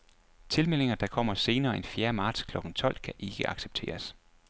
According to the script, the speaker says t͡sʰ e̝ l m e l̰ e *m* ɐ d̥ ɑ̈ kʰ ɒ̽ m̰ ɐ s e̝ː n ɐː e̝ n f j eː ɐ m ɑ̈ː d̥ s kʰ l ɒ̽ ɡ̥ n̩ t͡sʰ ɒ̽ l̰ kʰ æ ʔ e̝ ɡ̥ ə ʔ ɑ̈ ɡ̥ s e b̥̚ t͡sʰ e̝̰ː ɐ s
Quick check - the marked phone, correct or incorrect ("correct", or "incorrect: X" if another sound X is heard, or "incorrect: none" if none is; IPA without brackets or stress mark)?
incorrect: ŋ